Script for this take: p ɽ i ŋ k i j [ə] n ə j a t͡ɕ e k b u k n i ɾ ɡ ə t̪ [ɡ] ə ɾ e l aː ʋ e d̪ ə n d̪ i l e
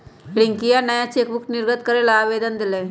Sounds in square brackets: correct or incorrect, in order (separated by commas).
incorrect, incorrect